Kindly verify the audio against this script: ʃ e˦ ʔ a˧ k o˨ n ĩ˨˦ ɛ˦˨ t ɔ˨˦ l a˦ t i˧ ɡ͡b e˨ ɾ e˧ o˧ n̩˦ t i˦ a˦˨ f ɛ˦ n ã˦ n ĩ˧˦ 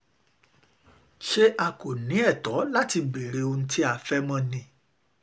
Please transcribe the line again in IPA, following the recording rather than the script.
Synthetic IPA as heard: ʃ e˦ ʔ a˧ k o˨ n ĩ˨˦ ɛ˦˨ t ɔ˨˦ l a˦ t i˧ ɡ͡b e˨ ɾ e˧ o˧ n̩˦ t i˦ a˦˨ f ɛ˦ m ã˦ n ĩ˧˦